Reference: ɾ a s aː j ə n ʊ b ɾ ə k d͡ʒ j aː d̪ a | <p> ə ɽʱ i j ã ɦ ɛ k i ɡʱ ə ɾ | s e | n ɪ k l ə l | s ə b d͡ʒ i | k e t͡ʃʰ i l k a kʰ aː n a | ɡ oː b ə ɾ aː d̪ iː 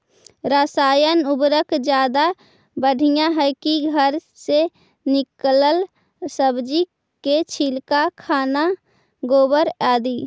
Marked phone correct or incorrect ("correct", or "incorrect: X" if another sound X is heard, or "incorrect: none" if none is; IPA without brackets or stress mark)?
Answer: incorrect: b